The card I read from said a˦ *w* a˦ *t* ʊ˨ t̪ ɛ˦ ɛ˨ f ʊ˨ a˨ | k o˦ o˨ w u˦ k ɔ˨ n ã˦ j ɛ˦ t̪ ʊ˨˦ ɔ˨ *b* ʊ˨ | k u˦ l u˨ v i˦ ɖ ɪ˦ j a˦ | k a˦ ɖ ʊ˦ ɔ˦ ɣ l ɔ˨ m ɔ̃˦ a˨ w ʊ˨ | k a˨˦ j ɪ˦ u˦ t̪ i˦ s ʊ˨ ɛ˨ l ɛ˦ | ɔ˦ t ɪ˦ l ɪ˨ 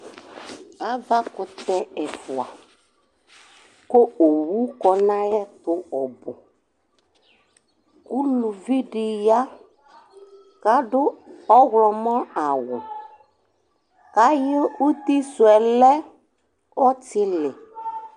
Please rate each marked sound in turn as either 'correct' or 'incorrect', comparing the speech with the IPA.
incorrect: v, incorrect: k, correct

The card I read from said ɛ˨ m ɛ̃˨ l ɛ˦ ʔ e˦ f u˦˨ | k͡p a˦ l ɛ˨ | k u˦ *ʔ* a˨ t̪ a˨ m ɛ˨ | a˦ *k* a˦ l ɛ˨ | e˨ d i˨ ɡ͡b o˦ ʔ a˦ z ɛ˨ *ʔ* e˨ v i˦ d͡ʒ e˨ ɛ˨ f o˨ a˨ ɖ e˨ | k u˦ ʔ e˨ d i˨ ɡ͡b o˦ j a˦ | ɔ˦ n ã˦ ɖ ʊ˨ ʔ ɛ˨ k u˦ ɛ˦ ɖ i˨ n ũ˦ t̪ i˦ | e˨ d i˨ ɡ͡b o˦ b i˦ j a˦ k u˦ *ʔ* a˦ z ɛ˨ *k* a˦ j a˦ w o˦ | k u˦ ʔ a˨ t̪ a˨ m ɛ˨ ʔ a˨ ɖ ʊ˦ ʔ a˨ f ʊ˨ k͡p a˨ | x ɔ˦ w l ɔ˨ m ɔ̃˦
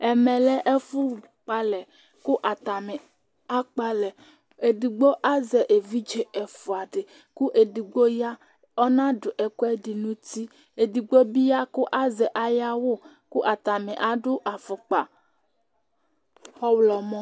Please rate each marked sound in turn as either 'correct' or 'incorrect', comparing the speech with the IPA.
correct, incorrect: k͡p, correct, correct, incorrect: ʔ

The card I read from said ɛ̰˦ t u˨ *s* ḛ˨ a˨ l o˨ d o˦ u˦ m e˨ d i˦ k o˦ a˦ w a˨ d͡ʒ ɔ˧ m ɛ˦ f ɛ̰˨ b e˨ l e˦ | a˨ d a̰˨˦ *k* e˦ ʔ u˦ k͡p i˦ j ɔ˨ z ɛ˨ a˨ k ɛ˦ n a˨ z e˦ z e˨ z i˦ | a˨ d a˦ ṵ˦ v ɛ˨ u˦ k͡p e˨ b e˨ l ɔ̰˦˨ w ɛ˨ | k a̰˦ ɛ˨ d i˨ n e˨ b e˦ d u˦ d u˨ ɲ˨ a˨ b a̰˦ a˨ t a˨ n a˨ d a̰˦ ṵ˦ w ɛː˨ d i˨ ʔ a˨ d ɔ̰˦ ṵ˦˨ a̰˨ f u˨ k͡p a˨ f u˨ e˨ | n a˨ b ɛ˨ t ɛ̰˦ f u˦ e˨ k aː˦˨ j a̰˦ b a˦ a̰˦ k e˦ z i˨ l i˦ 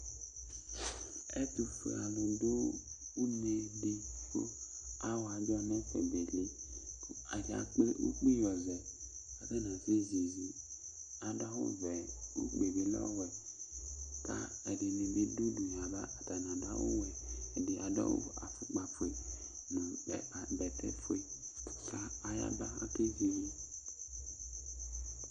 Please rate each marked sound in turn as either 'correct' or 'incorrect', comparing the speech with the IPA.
incorrect: f, incorrect: k͡p

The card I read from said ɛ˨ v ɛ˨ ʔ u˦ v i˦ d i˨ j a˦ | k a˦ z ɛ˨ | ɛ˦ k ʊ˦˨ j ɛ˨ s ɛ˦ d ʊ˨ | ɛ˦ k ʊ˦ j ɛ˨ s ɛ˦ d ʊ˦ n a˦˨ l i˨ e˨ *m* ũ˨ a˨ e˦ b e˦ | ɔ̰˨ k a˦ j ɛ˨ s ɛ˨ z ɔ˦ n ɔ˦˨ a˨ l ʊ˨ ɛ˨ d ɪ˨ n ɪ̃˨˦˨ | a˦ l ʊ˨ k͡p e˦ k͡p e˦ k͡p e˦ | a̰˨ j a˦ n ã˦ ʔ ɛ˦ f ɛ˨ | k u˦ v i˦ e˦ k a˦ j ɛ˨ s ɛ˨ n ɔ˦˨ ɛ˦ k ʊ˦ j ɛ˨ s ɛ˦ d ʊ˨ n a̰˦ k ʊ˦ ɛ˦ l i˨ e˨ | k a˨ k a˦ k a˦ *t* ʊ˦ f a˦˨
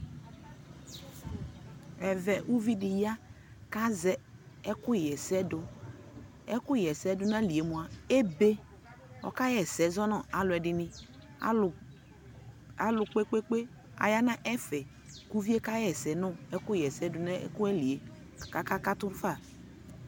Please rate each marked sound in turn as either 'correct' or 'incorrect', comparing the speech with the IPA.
correct, correct

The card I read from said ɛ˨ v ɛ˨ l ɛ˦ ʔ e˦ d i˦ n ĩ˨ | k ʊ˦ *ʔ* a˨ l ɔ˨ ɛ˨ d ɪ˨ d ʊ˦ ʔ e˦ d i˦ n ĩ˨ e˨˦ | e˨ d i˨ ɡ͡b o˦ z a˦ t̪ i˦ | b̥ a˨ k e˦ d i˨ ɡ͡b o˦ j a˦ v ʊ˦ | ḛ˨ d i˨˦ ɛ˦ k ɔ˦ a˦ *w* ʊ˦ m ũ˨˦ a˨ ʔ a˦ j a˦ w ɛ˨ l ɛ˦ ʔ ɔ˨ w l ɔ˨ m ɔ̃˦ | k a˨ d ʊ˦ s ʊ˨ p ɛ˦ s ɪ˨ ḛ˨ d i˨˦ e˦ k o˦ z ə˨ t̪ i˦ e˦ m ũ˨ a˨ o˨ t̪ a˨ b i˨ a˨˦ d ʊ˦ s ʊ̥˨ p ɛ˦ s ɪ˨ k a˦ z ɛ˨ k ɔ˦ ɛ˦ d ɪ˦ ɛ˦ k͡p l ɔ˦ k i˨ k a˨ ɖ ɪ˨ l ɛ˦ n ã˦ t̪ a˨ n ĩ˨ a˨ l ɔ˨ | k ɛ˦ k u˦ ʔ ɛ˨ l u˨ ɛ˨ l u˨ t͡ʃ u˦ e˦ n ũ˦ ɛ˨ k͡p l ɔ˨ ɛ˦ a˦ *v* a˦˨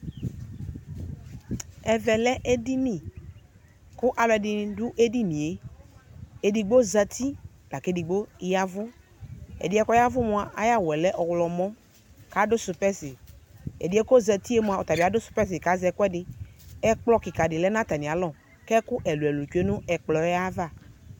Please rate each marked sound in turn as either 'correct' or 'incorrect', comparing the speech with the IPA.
correct, incorrect: v, correct

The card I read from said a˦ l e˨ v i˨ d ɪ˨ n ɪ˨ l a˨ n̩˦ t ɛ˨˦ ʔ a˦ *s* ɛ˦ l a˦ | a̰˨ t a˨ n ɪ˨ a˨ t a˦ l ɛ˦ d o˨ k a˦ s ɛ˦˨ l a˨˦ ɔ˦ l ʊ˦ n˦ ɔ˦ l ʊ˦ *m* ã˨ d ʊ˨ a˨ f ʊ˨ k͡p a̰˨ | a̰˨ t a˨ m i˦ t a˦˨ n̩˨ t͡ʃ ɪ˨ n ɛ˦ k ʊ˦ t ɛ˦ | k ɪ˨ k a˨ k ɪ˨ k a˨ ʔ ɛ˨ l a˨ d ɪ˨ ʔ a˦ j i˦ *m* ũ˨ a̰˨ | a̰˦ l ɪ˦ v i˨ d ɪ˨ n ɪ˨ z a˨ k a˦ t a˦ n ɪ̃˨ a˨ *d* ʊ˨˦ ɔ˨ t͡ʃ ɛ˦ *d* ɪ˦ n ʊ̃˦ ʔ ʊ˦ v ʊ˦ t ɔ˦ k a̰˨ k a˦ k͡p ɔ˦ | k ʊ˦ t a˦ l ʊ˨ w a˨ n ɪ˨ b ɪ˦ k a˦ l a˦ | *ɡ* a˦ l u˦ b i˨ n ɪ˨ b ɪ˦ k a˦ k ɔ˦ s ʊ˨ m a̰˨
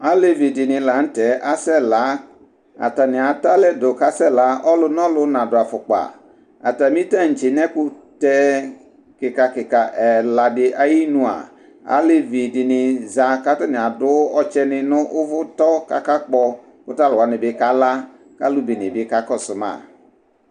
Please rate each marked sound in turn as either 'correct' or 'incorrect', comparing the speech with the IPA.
correct, incorrect: n, incorrect: n, correct, incorrect: n, incorrect: k

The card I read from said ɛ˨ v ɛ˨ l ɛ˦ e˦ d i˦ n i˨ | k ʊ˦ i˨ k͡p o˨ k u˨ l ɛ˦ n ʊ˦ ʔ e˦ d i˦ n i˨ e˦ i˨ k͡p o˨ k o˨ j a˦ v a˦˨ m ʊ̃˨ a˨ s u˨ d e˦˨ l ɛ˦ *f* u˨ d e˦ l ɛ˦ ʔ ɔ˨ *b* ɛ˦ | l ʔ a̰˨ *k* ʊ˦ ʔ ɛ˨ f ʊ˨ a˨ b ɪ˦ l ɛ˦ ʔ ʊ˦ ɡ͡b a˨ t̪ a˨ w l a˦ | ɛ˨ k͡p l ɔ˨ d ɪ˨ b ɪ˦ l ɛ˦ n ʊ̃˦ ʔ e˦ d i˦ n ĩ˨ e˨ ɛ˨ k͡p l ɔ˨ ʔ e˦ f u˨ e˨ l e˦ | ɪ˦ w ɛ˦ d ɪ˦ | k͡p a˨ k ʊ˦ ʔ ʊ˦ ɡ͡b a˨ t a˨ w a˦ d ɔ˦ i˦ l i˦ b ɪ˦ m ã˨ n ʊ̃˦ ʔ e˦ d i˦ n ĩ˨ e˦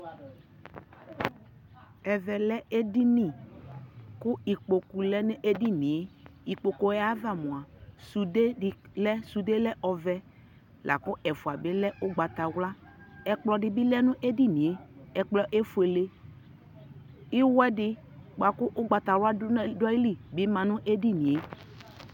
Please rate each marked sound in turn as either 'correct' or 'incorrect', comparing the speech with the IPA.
incorrect: s, incorrect: v, correct

